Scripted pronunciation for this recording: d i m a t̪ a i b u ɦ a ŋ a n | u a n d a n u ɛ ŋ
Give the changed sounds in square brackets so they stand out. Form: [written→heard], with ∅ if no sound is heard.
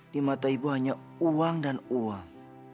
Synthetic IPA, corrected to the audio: d i m a t̪ a i b u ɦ a [ŋ→ɲ] a [n→∅] | u a [n→ŋ] d a n u [ɛ→a] ŋ